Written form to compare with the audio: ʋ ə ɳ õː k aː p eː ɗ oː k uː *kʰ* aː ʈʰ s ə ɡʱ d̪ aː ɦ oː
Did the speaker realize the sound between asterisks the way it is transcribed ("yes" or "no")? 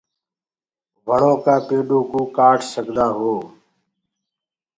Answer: no